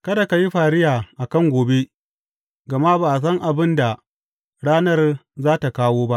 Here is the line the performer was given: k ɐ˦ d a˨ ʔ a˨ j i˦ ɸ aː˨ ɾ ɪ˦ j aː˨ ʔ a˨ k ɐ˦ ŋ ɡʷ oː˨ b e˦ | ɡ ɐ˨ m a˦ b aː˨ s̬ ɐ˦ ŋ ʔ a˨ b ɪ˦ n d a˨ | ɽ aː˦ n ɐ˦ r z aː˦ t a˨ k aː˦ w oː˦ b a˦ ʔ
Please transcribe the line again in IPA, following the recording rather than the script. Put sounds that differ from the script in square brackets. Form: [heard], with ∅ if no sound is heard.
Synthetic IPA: k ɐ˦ d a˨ [k] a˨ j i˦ ɸ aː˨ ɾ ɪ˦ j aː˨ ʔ a˨ k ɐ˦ ŋ ɡʷ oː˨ b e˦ | ɡ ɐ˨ m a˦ b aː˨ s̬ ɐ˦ ŋ ʔ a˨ b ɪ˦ n d a˨ | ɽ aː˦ n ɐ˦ r z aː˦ t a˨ k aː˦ w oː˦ b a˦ ʔ

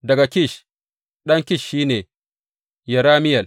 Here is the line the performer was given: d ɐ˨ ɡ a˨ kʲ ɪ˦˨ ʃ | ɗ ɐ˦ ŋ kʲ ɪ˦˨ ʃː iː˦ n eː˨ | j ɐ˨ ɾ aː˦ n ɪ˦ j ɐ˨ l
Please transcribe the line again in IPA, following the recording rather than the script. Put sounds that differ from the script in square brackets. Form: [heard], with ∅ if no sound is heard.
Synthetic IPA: d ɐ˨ ɡ a˨ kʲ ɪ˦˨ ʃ | ɗ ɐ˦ ŋ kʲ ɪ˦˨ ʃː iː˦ n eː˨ | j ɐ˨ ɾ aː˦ [m] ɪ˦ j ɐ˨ l

